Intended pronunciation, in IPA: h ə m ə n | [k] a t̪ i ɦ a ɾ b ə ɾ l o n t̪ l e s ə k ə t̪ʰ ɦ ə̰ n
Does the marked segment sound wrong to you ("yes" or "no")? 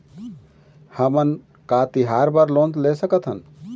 no